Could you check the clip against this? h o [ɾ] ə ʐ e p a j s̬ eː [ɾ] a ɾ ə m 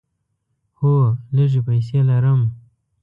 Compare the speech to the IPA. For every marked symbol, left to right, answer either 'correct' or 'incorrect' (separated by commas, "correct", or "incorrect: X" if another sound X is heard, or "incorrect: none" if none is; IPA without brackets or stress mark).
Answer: incorrect: l, incorrect: l